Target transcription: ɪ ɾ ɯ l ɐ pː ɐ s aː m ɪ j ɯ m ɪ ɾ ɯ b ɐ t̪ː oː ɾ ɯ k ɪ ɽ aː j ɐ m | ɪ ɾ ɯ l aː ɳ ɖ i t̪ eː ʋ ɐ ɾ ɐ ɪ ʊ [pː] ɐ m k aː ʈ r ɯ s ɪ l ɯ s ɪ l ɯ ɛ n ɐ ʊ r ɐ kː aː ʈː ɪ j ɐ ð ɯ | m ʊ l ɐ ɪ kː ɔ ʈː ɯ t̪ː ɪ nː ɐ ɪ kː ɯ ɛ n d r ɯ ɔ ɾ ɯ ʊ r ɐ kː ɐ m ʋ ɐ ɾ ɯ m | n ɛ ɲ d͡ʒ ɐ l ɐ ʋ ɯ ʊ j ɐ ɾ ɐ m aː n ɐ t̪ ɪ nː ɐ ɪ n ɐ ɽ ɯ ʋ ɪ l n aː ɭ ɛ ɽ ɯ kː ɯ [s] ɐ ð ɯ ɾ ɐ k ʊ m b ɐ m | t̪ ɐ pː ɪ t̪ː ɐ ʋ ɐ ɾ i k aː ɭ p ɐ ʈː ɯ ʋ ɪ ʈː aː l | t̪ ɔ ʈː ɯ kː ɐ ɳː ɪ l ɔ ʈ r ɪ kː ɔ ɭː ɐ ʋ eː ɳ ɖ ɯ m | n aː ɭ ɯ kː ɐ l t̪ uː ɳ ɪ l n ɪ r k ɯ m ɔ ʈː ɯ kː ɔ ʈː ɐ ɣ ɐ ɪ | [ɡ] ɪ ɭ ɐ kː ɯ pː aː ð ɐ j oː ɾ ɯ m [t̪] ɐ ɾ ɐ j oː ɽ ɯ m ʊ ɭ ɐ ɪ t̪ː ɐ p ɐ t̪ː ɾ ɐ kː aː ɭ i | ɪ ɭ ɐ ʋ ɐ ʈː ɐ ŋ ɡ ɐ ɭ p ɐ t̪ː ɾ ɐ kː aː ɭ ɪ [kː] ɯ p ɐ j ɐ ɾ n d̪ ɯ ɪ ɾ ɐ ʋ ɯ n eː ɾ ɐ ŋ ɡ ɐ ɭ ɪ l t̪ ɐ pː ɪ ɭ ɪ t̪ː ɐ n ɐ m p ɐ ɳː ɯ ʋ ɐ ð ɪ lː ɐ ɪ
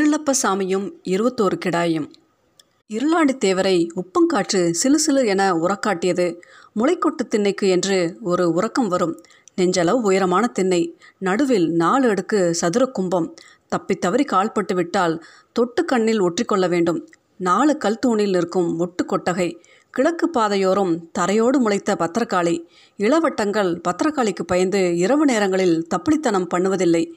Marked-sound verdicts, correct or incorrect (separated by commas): correct, correct, incorrect, correct, correct